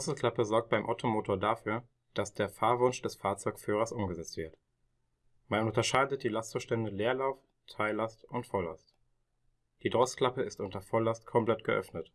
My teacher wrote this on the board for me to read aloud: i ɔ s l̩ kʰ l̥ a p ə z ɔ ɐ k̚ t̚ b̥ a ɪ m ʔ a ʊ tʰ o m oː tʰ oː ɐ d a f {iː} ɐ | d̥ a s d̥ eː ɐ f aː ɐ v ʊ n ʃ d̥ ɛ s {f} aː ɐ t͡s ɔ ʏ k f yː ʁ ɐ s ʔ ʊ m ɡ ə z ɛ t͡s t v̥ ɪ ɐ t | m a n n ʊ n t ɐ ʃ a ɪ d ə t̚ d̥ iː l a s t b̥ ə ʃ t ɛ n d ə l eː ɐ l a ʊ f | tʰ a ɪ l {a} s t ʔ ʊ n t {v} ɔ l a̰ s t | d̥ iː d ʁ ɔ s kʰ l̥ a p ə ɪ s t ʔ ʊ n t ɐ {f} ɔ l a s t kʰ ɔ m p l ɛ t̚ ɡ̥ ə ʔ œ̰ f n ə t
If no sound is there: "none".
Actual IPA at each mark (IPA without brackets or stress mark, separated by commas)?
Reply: yː, f, a, f, f